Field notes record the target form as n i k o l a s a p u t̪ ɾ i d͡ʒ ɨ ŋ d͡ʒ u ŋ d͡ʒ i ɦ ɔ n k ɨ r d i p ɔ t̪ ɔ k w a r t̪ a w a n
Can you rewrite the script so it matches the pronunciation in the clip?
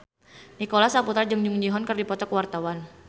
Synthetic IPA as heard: n i k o l a s a p u t̪ ɾ a d͡ʒ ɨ ŋ d͡ʒ u ŋ d͡ʒ i ɦ ɔ n k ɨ r d i p ɔ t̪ ɔ k w a r t̪ a w a n